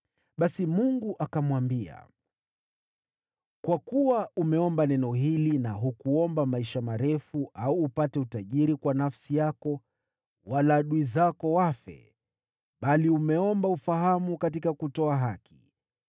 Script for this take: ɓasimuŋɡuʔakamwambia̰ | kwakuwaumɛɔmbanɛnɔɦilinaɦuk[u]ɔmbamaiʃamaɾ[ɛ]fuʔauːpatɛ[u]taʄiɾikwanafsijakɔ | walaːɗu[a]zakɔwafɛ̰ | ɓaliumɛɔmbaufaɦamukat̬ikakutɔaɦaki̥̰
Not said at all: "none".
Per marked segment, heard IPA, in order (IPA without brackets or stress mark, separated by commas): u, ɛ, u, i